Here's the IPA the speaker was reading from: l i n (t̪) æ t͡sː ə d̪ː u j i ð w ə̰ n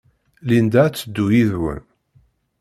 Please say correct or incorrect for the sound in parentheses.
incorrect